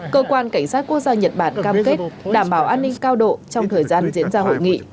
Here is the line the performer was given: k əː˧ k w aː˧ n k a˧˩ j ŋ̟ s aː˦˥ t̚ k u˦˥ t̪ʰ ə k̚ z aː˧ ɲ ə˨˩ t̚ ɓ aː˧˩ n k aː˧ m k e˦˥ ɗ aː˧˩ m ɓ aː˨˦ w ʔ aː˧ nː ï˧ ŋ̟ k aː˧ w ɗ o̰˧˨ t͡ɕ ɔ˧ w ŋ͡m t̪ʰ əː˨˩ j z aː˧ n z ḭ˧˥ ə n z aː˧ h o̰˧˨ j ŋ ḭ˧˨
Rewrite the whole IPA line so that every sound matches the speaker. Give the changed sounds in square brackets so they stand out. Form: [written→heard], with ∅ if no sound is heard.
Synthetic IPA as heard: k əː˧ k w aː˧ n k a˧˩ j ŋ̟ s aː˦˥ t̚ k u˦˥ [t̪ʰ→∅] ə k̚ z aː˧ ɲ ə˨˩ t̚ ɓ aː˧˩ n k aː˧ m k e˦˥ ɗ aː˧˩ m ɓ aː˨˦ w ʔ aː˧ nː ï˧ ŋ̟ k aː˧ w ɗ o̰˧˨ t͡ɕ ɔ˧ w ŋ͡m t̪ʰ əː˨˩ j z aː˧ n z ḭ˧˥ ə n z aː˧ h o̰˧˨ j ŋ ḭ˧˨

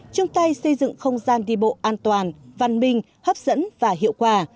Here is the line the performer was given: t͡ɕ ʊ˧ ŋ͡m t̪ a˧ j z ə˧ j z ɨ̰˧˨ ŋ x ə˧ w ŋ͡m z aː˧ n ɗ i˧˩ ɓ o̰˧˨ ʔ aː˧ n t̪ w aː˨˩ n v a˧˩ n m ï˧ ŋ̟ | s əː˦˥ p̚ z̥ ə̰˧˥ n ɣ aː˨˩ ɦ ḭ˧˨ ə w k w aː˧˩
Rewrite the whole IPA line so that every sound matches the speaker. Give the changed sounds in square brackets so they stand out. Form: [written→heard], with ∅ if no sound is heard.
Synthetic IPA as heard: t͡ɕ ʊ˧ ŋ͡m t̪ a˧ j [z→s] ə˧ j z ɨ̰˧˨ ŋ x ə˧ w ŋ͡m z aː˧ n ɗ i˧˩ ɓ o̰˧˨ ʔ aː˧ n t̪ w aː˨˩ n v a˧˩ n m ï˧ ŋ̟ | [s→h] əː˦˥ p̚ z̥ ə̰˧˥ n [ɣ→v] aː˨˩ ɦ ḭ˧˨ ə w k w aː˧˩

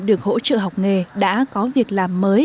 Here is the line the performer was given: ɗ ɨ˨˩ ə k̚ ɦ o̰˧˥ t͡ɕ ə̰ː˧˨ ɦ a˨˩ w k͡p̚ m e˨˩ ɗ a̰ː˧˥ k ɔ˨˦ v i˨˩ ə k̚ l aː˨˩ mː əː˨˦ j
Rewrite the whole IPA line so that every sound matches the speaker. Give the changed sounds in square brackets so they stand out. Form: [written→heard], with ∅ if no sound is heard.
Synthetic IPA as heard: ɗ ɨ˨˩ ə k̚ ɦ o̰˧˥ t͡ɕ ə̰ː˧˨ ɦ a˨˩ w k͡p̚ [m→ŋ] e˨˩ ɗ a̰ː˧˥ k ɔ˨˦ v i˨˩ ə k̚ l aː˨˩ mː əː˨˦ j

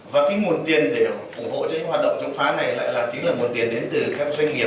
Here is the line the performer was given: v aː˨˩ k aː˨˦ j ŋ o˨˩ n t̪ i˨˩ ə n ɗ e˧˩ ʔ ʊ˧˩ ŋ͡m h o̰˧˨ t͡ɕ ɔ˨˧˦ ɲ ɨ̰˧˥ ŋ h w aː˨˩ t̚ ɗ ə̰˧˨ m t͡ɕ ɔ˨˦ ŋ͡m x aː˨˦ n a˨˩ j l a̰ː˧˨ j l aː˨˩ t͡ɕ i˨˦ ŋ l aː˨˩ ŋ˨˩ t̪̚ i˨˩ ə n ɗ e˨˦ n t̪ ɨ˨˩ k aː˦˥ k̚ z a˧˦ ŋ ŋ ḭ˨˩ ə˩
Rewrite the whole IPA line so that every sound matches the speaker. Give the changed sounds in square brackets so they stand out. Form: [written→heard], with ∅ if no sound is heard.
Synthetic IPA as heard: v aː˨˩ k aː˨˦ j ŋ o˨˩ n t̪ i˨˩ ə n ɗ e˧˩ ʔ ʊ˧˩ ŋ͡m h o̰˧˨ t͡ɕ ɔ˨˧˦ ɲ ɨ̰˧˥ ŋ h w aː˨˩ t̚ ɗ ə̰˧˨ [m→ŋ͡m] t͡ɕ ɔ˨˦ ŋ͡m [x→f] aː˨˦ n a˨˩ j l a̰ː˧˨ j l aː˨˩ t͡ɕ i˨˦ ŋ l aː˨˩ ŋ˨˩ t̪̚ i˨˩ ə n ɗ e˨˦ n t̪ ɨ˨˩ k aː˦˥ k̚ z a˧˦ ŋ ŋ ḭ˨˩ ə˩

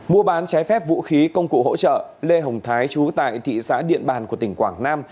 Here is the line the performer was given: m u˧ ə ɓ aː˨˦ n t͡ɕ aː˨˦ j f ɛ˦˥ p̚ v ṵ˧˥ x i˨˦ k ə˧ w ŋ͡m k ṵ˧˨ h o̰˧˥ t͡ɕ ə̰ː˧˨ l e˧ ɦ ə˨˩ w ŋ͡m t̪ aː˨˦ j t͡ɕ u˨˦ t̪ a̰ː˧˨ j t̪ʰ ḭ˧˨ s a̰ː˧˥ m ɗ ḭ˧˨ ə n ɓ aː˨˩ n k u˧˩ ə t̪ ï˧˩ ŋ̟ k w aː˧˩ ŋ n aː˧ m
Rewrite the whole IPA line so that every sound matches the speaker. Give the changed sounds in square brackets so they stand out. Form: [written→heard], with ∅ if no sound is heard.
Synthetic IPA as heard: m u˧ ə ɓ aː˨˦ n t͡ɕ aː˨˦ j f ɛ˦˥ p̚ v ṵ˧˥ x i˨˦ k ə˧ w ŋ͡m k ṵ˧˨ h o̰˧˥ t͡ɕ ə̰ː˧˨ l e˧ ɦ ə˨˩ w ŋ͡m [t̪→t̪ʰ] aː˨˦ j t͡ɕ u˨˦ t̪ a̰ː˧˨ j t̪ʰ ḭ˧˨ s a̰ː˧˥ [m→∅] ɗ ḭ˧˨ ə n ɓ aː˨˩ n k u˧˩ ə t̪ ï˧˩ ŋ̟ k w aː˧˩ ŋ n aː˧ m

